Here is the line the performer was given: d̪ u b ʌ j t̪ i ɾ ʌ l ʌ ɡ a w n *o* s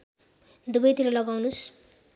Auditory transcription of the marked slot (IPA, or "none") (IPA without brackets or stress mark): u